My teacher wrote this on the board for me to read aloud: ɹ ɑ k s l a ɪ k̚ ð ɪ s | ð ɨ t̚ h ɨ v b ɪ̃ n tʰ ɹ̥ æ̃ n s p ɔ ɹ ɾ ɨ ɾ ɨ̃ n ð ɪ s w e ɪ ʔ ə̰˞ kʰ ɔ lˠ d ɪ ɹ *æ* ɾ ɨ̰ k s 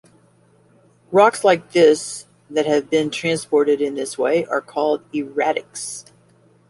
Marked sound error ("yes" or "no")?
no